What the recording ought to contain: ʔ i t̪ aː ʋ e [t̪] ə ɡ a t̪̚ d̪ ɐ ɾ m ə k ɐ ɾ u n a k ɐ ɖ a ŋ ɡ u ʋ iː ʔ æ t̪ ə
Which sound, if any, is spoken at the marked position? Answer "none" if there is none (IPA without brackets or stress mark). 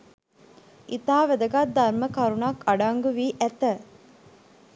d̪